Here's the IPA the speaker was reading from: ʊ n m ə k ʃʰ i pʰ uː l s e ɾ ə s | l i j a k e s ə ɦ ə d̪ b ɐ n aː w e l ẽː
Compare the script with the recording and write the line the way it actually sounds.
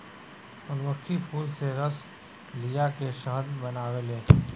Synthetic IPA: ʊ n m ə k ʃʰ i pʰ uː l s e ɾ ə s | l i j a k e ʃ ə ɦ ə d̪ b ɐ n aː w e l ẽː